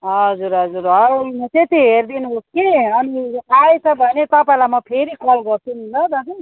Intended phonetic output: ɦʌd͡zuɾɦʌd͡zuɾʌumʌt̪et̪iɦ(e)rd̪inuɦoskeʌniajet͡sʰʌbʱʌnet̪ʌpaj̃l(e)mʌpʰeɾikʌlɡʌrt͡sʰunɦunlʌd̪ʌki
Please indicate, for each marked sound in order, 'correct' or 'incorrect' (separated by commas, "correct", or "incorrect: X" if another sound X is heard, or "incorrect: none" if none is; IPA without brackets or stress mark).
correct, incorrect: a